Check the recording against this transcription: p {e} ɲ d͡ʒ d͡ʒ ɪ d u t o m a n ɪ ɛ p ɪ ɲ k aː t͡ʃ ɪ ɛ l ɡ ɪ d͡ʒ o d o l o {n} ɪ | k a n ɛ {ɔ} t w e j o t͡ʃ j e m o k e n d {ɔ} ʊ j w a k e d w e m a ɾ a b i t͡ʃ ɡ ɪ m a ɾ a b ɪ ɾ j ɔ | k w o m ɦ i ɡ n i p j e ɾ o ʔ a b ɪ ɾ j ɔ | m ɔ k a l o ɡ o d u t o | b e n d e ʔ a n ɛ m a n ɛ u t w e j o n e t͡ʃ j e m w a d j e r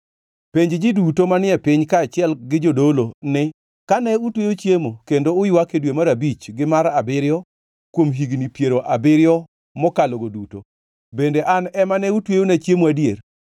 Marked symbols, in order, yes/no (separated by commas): yes, yes, no, no